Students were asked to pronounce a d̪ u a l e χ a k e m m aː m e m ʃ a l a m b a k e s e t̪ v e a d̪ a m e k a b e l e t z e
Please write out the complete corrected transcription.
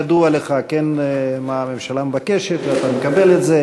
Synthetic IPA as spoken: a d̪ u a l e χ a k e n m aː m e m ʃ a l a m b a k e ʃ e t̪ v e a t̪ a m e k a b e l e t z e